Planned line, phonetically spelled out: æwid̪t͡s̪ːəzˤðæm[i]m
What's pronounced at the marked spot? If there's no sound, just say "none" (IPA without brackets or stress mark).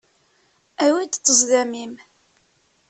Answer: i